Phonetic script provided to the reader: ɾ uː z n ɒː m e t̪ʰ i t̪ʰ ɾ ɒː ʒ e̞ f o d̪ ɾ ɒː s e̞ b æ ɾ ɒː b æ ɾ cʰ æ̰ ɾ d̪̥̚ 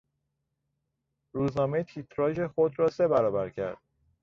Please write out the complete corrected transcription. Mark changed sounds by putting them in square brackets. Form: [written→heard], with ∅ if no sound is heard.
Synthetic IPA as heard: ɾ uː z n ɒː m e t̪ʰ i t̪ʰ ɾ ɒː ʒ e̞ [f→x] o d̪ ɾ ɒː s e̞ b æ ɾ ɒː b æ ɾ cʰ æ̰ ɾ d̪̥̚